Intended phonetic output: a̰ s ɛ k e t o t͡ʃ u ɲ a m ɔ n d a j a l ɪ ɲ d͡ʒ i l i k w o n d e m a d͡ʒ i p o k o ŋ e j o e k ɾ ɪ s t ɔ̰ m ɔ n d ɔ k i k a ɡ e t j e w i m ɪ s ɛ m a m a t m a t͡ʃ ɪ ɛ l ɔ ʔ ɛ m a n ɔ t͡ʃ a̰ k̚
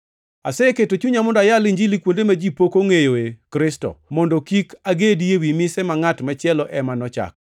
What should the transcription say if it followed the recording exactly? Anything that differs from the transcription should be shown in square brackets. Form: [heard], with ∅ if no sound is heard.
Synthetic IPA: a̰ s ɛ k e t o t͡ʃ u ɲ a m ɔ n d a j a l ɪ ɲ d͡ʒ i l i k w o n d e m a d͡ʒ i p o k o ŋ e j o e k ɾ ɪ s t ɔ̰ m ɔ n d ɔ k i k a ɡ e [d] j e w i m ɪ s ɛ m a [ŋ] a t m a t͡ʃ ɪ ɛ l ɔ ʔ ɛ m a n ɔ t͡ʃ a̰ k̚